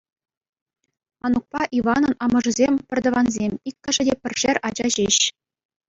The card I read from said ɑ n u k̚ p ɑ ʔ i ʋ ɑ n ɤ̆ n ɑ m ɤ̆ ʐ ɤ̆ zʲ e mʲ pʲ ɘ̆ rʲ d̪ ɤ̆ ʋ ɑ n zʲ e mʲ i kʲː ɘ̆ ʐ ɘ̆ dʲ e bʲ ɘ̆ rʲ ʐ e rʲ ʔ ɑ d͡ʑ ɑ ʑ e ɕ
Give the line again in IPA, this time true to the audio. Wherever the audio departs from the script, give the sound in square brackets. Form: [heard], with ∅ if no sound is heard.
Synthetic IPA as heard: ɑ n u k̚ p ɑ ʔ i ʋ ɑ n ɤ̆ n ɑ m ɤ̆ ʐ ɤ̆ zʲ e mʲ pʲ ɘ̆ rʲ d̪ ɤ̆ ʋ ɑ n zʲ e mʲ i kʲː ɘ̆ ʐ ɘ̆ dʲ e [pʲ] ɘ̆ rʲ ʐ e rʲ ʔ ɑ d͡ʑ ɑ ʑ e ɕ